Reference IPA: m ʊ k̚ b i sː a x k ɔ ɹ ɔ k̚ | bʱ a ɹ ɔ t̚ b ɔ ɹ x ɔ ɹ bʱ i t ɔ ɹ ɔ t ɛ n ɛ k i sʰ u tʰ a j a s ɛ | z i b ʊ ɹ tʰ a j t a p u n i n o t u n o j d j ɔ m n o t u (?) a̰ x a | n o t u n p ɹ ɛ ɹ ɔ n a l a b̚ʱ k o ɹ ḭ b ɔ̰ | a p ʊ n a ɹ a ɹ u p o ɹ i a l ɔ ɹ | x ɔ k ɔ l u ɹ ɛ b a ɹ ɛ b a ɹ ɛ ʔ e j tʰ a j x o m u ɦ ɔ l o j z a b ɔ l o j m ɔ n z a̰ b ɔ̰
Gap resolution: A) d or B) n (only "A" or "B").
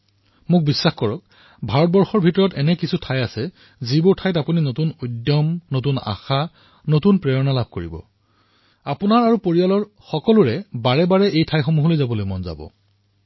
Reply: B